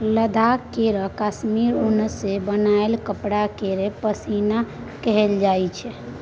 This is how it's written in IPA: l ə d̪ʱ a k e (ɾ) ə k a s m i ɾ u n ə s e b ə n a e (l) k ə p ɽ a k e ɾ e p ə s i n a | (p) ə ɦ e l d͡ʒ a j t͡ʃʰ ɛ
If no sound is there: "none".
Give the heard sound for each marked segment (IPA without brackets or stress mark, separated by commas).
ɾ, l, k